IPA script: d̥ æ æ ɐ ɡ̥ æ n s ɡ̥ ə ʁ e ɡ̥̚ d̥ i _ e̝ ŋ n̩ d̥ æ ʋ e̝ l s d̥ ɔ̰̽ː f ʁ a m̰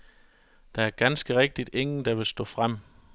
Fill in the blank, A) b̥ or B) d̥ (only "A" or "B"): B